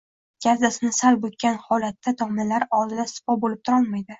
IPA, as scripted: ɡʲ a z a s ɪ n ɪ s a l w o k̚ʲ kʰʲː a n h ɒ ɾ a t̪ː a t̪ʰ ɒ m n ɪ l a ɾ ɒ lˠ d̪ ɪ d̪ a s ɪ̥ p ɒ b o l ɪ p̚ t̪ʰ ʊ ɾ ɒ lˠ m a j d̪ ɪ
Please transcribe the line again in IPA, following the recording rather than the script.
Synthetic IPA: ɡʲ a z a s ɪ n ɪ s a l b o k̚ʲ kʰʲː a n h ɒ l a t̪ː a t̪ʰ ɒ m n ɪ l a ɾ ɒ lˠ d̪ ɪ d̪ a s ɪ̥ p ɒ b o l ɪ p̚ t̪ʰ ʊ ɾ ɒ lˠ m a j d̪ ɪ

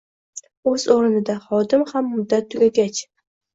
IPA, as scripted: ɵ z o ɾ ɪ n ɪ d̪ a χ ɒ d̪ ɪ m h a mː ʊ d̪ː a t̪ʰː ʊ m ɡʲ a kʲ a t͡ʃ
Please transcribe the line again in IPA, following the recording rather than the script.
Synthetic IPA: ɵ z o ɾ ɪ n ɪ d̪ a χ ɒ d̪ ɪ m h a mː ʊ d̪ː a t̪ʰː ʊ ɡʲ a ɡʲ a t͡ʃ

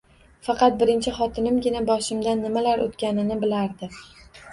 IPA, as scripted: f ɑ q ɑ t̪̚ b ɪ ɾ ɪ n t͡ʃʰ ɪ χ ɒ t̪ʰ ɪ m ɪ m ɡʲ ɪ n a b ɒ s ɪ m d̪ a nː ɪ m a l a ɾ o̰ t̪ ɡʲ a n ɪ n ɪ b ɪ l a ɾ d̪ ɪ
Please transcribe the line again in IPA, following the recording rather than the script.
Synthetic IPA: f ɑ q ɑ t̪̚ b ɪ ɾ ɪ n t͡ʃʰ ɪ χ ɒ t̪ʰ ɪ n ɪ m ɡʲ ɪ n a b ɒ ʃ ɪ m d̪ a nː ɪ m a l a ɾ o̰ t̪ kʲ a n ɪ n ɪ b ɪ l a ɾ d̪ ɪ

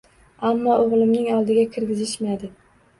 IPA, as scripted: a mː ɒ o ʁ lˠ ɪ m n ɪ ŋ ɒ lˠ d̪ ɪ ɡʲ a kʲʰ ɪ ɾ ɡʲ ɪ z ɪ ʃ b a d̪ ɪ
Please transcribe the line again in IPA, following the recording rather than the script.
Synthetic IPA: a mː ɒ o ʁ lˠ ɪ m n ɪ ŋ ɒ lˠ d̪ ɪ ɡʲ a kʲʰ ɪ ɾ ɡʲ ɪ z ɪ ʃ m a d̪ ɪ

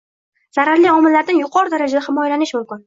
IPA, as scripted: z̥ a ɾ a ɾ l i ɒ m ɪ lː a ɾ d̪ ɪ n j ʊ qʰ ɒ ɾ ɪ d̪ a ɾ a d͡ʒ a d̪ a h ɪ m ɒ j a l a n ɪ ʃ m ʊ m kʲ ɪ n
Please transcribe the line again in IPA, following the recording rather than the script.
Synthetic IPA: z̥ a ɾ a ɾ l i ɒ m ɪ lː a ɾ d̪ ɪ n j ʊ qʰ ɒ ɾ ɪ d̪ a ɾ a d͡ʒ a d̪ a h ɪ m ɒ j a l a n ɪ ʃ m ʊ m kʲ ɪ n

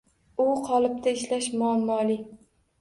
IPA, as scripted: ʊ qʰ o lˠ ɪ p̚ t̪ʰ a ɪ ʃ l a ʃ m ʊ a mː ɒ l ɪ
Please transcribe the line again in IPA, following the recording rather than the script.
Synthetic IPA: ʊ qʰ ɒ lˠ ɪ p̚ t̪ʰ a ɪ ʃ l a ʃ m ʊ a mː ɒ l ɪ

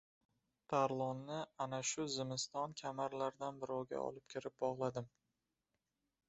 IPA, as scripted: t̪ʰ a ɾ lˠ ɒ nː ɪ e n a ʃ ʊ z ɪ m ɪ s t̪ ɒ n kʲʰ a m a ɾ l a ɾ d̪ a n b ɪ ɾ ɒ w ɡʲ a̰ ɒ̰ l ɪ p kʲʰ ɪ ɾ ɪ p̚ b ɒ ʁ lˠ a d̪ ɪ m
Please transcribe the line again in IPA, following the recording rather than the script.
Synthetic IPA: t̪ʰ a ɾ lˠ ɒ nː ɪ a n a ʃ ʊ z ɪ m ɪ s t̪ ɒ n kʲʰ a m a ɾ l a ɾ d̪ a n b ɪ ɾ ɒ w ɡʲ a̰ ɒ̰ l ɪ p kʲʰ ɪ ɾ ɪ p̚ b ɒ ʁ lˠ a d̪ ɪ m

